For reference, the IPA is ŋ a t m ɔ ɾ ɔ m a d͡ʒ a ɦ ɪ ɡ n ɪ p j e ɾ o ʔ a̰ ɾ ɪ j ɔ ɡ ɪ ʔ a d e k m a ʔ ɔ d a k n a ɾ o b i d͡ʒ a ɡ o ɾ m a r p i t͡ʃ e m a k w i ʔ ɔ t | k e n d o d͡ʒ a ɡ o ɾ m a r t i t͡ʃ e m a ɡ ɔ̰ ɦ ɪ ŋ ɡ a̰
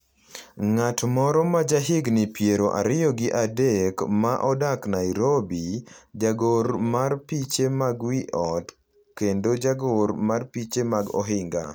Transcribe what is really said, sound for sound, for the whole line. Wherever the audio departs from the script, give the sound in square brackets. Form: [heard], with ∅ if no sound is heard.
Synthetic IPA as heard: ŋ a t m ɔ ɾ ɔ m a d͡ʒ a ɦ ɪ ɡ n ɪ p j e ɾ o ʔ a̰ ɾ ɪ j ɔ ɡ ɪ ʔ a d e k m a ʔ ɔ d a k n a ɾ o b i d͡ʒ a ɡ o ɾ m a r p i t͡ʃ e m a [ɡ] w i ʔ ɔ t | k e n d o d͡ʒ a ɡ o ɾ m a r [p] i t͡ʃ e m a ɡ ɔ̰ ɦ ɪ ŋ ɡ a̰